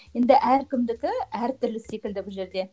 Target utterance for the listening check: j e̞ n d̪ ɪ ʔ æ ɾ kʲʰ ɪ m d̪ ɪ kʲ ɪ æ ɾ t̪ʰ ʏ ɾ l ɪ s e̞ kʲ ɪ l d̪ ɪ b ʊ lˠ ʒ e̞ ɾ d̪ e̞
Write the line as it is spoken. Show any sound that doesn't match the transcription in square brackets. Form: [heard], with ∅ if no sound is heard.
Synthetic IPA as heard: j e̞ n d̪ ɪ ʔ æ ɾ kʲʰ ɪ m d̪ ɪ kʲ ɪ æ ɾ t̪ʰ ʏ ɾ l ɪ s e̞ kʲ ɪ l d̪ ɪ b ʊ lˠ ʒ e̞ ɾ d̪ e̞